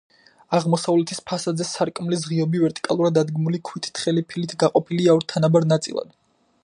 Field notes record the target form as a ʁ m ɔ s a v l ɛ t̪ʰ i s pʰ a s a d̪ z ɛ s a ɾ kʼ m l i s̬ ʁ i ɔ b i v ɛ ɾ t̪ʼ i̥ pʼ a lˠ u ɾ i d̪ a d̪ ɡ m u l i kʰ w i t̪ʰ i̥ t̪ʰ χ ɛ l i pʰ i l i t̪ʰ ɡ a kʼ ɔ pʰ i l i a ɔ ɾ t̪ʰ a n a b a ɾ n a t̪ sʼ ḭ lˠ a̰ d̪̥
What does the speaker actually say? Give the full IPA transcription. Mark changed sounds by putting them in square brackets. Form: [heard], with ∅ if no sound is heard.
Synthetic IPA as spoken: a ʁ m ɔ s a v l ɛ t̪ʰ i s pʰ a s a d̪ z ɛ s a ɾ kʼ m l i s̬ ʁ i ɔ b i v ɛ ɾ t̪ʼ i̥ [kʼ] a lˠ u ɾ [a] d̪ a d̪ ɡ m u l i kʰ w i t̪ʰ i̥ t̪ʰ χ ɛ l i pʰ i l i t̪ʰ ɡ a [qʼ] ɔ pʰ i l i a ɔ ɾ t̪ʰ a n a b a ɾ n a t̪ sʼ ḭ lˠ a̰ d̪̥